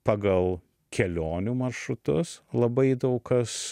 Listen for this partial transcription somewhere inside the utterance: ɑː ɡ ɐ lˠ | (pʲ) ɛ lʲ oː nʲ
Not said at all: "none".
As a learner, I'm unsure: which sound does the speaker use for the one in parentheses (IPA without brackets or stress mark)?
kʲ